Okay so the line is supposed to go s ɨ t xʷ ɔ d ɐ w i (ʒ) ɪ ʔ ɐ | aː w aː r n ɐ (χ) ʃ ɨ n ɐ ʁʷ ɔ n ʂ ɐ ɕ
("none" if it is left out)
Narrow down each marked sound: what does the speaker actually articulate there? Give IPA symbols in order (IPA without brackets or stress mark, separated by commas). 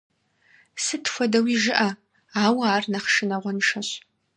ʒ, χ